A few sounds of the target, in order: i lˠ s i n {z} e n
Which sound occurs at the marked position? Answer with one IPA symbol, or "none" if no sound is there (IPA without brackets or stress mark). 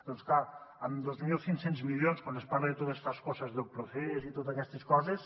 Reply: s